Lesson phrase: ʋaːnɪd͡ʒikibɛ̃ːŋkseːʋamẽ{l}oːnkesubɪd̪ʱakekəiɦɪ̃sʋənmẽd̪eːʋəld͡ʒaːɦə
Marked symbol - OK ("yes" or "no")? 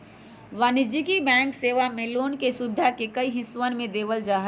yes